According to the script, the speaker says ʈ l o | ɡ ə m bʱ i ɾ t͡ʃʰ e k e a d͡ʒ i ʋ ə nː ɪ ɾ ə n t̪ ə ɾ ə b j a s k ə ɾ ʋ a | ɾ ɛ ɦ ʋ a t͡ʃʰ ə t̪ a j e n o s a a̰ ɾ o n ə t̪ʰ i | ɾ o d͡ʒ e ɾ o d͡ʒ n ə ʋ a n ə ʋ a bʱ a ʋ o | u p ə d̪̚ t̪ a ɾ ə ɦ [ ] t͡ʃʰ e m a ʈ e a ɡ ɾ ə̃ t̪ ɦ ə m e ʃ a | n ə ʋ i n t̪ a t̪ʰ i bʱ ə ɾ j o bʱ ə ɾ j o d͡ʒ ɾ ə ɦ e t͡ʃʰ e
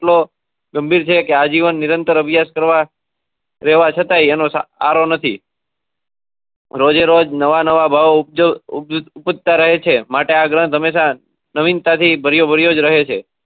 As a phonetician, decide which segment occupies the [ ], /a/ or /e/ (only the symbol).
e